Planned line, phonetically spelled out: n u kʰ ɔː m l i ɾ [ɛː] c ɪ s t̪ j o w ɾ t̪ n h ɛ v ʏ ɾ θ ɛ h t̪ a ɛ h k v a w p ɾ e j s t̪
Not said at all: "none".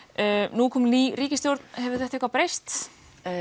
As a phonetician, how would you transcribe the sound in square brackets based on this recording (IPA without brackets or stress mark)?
iː